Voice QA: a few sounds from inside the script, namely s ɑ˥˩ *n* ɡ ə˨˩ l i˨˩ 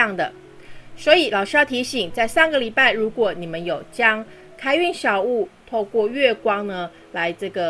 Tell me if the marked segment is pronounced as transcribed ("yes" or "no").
no